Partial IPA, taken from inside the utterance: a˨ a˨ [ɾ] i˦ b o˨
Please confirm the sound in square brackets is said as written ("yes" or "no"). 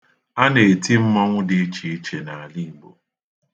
no